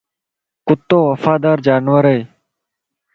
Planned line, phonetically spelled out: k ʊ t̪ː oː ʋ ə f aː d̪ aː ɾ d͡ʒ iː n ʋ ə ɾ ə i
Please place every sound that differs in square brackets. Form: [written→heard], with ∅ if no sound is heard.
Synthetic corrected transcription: k ʊ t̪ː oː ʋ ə f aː d̪ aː ɾ d͡ʒ [iː→aː] n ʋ ə ɾ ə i